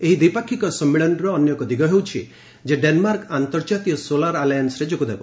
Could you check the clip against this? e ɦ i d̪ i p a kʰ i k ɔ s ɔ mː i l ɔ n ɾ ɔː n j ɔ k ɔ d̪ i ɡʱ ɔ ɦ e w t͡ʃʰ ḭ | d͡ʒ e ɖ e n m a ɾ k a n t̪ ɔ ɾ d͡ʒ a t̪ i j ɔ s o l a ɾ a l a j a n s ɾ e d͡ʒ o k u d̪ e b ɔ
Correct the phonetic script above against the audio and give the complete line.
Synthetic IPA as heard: e ɦ i d̪ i p a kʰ i k ɔ s ɔ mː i ɭ ɔ n ɾ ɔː n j ɔ k ɔ d̪ i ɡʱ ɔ ɦ e w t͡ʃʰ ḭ | d͡ʒ e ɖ e n m a ɾ k a n t̪ ɔ ɾ d͡ʒ a t̪ i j ɔ s o l a ɾ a l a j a n s ɾ e d͡ʒ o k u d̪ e b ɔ